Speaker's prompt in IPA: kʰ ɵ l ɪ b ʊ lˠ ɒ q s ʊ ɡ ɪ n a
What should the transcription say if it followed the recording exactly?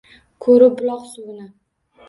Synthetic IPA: kʰ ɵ ɾ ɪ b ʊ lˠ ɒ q s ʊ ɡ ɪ n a